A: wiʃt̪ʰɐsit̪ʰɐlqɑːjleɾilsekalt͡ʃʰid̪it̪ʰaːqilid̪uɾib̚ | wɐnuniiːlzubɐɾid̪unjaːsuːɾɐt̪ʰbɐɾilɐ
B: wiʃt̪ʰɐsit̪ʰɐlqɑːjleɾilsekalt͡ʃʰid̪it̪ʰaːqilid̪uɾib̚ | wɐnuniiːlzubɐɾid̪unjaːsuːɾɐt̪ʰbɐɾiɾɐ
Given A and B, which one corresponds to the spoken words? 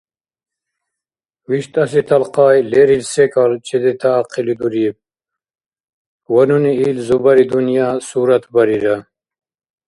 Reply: B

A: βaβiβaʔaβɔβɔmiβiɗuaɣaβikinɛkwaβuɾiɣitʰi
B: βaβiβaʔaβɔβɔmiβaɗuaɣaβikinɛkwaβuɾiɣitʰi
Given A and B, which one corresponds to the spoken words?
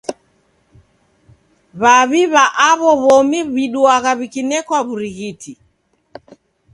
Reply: A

